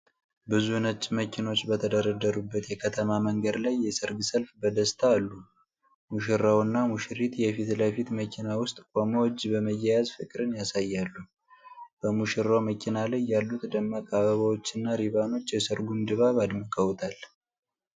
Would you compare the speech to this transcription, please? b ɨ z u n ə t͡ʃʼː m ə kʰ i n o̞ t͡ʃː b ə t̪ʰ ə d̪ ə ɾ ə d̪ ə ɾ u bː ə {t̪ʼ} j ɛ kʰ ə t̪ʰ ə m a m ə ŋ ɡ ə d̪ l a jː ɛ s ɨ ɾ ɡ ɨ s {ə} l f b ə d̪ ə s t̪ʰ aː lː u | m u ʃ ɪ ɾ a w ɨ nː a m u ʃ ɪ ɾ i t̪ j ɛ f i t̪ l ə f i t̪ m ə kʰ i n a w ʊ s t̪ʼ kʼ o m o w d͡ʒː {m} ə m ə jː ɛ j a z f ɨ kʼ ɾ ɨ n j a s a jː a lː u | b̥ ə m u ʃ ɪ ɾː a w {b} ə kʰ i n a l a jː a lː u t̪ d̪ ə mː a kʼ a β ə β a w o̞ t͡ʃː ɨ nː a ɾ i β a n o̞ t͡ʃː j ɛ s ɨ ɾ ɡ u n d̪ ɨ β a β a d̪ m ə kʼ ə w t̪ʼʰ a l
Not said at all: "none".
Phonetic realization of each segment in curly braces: t̪, ə, b, m

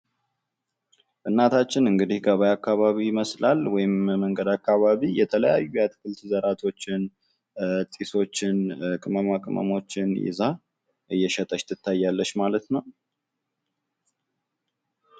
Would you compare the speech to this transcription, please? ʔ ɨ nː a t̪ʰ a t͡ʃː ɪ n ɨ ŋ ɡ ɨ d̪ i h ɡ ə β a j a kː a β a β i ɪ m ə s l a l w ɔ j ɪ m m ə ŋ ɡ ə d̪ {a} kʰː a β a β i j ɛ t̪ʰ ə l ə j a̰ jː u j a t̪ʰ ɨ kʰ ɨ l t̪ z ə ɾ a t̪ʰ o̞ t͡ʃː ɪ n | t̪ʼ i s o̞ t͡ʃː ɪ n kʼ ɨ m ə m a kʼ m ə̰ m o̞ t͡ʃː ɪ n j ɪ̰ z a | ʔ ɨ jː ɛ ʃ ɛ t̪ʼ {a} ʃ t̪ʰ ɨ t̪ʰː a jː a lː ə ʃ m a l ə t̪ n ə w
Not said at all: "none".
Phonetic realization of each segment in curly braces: a, ə

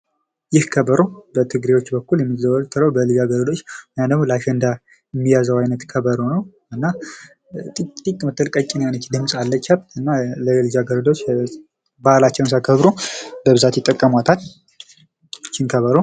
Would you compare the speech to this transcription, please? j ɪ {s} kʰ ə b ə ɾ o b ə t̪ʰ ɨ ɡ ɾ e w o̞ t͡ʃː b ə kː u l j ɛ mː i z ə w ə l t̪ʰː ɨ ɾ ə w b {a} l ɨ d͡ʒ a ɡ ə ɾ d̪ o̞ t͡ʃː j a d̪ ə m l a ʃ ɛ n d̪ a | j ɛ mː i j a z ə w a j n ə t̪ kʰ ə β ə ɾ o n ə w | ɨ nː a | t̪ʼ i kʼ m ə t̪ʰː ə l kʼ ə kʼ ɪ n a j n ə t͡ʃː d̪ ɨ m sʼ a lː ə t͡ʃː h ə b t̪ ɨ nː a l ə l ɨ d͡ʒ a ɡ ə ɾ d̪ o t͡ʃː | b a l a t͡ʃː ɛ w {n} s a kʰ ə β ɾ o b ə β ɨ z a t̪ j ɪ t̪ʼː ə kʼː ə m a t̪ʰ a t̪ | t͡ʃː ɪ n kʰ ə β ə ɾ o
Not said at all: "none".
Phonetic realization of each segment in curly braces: h, ə, n

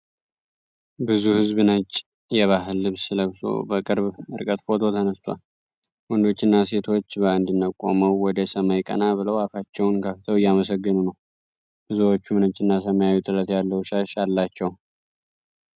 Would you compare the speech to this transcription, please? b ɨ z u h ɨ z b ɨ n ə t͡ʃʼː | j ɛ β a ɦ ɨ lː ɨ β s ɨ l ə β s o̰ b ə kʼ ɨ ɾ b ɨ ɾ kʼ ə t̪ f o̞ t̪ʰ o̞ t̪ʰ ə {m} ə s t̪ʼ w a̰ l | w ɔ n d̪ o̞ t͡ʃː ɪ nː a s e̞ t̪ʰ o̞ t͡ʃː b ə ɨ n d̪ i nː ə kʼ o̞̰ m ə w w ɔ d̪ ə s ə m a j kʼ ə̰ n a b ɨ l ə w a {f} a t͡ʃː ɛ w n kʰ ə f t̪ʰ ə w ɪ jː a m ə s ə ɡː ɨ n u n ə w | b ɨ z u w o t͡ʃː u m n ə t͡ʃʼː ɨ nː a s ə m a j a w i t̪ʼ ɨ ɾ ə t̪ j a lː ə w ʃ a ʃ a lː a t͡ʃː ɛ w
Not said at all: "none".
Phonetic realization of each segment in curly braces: n, f

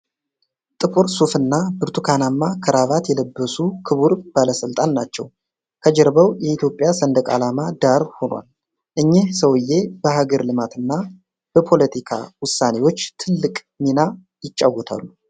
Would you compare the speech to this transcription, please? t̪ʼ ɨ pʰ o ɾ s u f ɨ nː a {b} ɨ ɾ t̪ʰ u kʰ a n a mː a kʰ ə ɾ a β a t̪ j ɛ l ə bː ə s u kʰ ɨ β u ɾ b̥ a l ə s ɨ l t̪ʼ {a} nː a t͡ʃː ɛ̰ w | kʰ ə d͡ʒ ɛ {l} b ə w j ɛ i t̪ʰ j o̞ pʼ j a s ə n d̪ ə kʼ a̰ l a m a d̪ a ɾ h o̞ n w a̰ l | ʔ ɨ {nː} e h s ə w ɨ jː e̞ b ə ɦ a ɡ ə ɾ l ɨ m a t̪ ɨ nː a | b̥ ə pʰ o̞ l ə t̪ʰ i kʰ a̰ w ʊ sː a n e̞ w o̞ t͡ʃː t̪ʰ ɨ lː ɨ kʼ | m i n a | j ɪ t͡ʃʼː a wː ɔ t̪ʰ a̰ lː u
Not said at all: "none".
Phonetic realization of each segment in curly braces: b, a, ɾ, ɲː

